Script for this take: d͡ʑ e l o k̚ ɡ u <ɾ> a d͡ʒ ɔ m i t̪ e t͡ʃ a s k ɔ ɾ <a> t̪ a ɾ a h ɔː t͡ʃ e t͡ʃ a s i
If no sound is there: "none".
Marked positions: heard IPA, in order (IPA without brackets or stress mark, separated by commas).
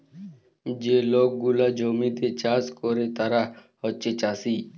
l, e